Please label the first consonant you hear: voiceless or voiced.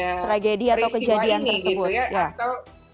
voiceless